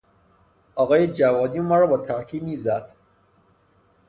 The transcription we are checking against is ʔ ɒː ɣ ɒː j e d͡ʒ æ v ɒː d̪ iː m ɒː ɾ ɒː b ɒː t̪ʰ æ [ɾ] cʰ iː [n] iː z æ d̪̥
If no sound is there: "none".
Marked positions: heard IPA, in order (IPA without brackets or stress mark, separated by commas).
ɾ, m